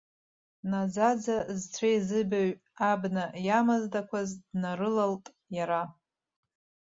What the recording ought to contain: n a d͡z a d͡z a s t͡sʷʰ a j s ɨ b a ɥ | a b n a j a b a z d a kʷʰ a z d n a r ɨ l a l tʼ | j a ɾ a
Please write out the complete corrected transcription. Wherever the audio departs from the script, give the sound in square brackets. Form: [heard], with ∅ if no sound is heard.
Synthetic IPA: n a d͡z a d͡z a [z] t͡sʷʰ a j [z] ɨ b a ɥ | a b n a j a [m] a z d a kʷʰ a z d n a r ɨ l a l tʼ | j a ɾ a